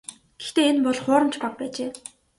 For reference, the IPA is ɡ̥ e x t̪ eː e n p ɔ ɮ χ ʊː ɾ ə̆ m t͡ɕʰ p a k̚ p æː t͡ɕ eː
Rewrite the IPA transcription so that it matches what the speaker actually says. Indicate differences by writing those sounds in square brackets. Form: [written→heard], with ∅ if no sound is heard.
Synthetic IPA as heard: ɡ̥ e x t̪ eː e n p ɔ ɮ χ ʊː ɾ ə̆ m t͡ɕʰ p a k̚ p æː t͡ɕ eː